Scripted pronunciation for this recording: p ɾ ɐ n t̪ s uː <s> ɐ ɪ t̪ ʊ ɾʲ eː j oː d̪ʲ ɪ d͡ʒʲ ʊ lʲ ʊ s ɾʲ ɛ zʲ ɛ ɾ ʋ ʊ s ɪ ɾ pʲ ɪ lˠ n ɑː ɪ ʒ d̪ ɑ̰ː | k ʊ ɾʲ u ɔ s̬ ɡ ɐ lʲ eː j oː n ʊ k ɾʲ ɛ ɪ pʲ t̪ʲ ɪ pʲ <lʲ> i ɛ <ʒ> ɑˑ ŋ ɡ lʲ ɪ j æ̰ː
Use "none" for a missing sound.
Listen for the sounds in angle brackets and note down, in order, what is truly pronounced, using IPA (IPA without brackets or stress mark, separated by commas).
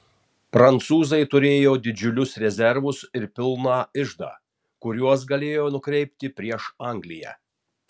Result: z, ɾʲ, ʃ